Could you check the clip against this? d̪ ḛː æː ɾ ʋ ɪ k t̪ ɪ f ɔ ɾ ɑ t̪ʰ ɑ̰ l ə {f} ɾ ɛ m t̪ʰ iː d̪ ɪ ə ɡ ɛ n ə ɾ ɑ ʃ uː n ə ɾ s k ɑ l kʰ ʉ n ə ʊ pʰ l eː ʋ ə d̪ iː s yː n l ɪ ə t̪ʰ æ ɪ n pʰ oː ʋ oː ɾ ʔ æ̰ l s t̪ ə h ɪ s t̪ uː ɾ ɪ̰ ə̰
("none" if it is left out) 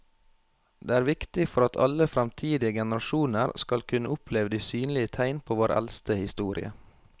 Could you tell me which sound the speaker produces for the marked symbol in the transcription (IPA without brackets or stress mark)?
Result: f